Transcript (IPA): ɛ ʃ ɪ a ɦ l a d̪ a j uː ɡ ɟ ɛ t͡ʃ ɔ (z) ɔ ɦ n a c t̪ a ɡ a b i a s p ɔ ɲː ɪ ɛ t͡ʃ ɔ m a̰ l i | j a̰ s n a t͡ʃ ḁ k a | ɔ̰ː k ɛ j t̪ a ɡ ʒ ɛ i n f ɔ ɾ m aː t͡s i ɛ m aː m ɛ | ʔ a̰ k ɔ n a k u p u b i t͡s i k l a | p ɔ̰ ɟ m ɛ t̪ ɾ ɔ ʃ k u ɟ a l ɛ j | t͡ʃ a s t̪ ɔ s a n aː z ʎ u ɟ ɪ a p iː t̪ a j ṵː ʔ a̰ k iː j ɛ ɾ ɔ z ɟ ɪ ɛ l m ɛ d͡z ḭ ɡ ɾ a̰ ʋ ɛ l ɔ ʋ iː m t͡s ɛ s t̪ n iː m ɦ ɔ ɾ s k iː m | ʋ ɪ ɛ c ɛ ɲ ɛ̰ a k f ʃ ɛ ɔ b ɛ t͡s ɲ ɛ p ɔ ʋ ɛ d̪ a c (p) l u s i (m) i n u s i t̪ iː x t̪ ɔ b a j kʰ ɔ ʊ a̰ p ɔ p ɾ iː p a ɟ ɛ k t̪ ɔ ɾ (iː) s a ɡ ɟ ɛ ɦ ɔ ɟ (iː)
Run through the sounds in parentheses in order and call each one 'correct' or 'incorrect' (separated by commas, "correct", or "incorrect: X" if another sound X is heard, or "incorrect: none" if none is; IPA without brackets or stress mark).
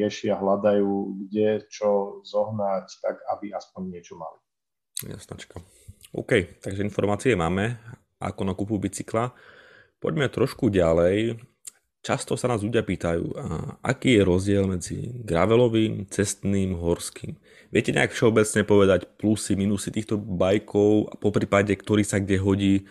correct, correct, correct, correct, correct